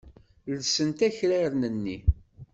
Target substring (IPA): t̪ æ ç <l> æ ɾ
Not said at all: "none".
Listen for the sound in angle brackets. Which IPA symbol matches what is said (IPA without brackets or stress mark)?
ɾ